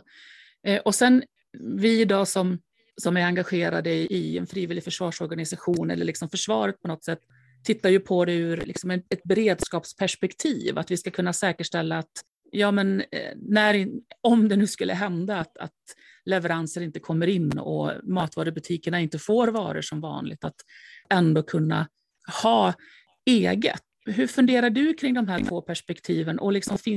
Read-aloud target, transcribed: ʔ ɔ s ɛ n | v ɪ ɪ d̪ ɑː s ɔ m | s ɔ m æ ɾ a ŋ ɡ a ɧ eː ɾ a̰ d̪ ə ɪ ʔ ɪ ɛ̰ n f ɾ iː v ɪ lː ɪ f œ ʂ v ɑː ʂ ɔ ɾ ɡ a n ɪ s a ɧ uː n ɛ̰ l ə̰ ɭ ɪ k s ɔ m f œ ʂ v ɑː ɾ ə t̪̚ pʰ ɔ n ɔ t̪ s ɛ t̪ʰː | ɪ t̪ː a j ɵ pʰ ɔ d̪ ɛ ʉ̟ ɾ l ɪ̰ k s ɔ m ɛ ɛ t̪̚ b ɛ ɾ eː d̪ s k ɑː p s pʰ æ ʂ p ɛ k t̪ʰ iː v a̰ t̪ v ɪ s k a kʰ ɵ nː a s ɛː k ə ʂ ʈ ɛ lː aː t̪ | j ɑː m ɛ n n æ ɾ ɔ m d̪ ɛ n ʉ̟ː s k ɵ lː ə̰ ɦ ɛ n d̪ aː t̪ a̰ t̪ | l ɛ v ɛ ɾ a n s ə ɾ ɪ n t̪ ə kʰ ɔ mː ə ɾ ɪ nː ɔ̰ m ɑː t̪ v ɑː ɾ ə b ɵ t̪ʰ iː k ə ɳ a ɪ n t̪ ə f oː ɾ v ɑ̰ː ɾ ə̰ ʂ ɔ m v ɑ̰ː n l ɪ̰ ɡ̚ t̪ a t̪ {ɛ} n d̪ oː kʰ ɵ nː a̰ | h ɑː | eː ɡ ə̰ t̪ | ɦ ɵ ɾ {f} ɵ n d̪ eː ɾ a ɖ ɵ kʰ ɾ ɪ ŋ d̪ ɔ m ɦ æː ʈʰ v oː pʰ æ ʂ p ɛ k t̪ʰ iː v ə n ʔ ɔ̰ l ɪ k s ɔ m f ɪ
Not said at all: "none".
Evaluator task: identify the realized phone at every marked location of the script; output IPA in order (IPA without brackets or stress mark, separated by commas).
ɛ, f